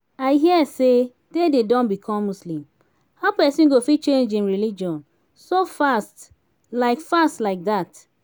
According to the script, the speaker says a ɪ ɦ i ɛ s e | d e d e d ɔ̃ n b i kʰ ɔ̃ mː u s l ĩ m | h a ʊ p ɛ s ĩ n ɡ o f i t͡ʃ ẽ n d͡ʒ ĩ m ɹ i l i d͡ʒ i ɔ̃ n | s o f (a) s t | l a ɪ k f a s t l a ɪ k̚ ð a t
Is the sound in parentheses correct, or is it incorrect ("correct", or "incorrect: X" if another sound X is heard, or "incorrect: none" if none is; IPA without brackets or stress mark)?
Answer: correct